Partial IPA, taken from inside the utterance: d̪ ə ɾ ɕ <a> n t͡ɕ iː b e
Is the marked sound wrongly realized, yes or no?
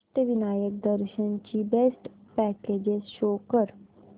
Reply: yes